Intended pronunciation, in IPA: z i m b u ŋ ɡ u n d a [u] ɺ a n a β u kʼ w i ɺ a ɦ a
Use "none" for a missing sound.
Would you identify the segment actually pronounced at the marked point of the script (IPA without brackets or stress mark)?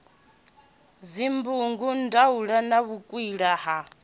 u